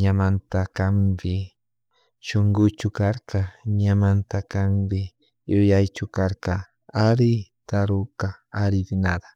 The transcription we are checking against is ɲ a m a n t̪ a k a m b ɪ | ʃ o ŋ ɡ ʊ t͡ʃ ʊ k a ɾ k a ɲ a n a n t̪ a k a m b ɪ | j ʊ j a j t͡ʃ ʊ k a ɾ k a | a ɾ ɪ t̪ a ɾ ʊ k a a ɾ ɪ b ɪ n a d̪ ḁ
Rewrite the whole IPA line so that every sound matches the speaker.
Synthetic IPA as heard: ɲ a m a n t̪ a k a m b ɪ | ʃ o ŋ ɡ ʊ t͡ʃ ʊ k a ɾ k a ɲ a m a n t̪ a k a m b ɪ | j ʊ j a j t͡ʃ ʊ k a ɾ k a | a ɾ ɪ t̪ a ɾ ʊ k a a ɾ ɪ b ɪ n a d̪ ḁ